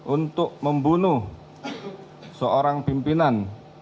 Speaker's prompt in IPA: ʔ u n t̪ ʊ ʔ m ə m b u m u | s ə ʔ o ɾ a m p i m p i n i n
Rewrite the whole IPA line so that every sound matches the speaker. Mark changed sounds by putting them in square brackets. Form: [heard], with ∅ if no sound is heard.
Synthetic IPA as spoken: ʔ u n t̪ ʊ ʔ m ə m b u [n] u | s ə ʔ o ɾ a [ŋ] p i m p i n [a] n

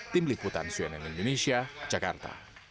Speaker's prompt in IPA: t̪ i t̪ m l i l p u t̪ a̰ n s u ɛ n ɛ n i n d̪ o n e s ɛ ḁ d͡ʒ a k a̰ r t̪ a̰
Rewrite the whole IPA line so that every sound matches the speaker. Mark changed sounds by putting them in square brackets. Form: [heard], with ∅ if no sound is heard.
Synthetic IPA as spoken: t̪ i [∅] m l i [∅] p u t̪ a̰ n s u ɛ n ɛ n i n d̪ o n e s [i] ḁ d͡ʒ a k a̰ r t̪ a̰

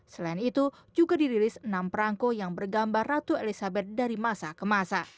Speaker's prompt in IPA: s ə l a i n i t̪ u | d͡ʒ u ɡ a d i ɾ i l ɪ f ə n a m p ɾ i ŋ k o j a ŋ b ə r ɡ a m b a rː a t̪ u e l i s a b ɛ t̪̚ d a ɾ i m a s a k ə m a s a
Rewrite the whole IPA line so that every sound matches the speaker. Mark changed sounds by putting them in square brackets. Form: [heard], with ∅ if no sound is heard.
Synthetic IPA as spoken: s ə l a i n i t̪ u | d͡ʒ u ɡ a d i ɾ i l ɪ [s] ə n a m p ɾ [a] ŋ k o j a ŋ b ə r ɡ a m b a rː a t̪ u e l i s a b ɛ t̪̚ d a ɾ i m a s a k ə m a s a

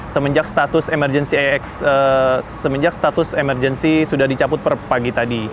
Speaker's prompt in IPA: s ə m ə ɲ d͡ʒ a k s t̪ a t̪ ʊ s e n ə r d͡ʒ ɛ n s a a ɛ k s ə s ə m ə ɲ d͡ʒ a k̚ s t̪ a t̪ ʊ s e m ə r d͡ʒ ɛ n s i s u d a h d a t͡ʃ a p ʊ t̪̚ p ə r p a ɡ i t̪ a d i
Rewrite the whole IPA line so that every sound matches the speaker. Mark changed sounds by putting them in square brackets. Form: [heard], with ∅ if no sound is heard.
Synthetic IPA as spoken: s ə m ə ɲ d͡ʒ a k s t̪ a t̪ ʊ s e [m] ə r d͡ʒ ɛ n s [i] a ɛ k s ə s ə m ə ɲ d͡ʒ a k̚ s t̪ a t̪ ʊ s e m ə r d͡ʒ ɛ n s i s u d a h d [i] t͡ʃ a p ʊ t̪̚ p ə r p a ɡ i t̪ a d i

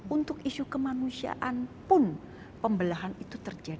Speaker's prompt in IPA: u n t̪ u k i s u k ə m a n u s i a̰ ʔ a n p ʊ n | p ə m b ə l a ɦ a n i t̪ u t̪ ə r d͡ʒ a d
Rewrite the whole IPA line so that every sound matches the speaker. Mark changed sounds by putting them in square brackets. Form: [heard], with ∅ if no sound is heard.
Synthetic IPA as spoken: u n t̪ [ʊ] k i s u k ə m a n u s i a̰ ʔ a n p ʊ n | p ə m b ə l a ɦ a n i t̪ u t̪ ə r d͡ʒ a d

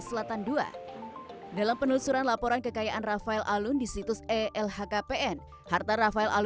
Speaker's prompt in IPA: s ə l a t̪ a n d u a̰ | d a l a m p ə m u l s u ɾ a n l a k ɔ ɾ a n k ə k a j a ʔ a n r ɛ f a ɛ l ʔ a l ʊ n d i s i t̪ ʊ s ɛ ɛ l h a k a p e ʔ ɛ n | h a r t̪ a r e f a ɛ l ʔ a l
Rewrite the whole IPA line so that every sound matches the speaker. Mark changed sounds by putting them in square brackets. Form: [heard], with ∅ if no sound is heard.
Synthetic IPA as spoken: s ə l a t̪ a n d u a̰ | d a l a m p ə [n] u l s u ɾ a n l a [p] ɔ ɾ a n k ə k a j a ʔ a n r [a] f a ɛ l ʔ a l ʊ n d i s i t̪ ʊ s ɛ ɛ l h a k a p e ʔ ɛ n | h a r t̪ a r [a] f a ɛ l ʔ a l

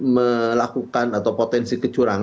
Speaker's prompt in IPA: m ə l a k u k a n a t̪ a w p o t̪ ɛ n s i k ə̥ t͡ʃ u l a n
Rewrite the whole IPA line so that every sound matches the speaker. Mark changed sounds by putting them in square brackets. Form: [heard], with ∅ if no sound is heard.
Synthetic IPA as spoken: m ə l a k u k a n a t̪ a w p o t̪ ɛ n s i k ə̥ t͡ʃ u [ɾ] a [ŋ]

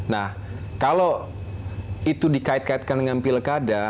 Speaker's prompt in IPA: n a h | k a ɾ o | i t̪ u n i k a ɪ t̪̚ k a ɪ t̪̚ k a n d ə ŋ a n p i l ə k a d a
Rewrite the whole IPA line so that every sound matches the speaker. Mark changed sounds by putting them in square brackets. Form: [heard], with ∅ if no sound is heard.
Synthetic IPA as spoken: n a h | k a [l] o | i t̪ u [d] i k a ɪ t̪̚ k a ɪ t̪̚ k a n d ə ŋ a n p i l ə k a d a

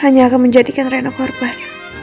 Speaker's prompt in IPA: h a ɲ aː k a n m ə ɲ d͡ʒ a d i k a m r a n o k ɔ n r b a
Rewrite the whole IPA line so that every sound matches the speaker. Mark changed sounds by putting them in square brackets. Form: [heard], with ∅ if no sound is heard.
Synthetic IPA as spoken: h a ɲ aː k a n m ə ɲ d͡ʒ a d i k a [n] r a n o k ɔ [∅] r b a

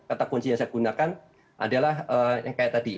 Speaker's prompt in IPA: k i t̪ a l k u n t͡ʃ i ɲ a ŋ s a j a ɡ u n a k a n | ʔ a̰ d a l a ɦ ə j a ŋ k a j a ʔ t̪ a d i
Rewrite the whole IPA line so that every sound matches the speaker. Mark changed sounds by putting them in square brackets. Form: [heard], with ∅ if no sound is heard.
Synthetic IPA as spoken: k [a] t̪ a [∅] k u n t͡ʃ i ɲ a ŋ s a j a ɡ u n a k a n | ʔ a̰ d a l a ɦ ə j a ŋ k a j a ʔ t̪ a d i

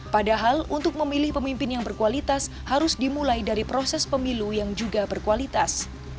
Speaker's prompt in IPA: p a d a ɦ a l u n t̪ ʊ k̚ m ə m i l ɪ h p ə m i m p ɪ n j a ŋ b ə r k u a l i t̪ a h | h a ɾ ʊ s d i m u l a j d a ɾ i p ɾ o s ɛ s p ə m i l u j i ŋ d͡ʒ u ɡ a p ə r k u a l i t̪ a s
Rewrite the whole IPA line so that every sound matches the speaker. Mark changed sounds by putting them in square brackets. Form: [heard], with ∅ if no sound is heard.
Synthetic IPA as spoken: p a d a ɦ a l u n t̪ ʊ k̚ m ə m i l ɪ h p ə m i m p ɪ n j a ŋ b ə r k u a l i t̪ a [s] | h a ɾ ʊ s d i m u l a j d a ɾ i p ɾ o s ɛ s p ə m i l u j [a] ŋ d͡ʒ u ɡ a [b] ə r k u a l i t̪ a s

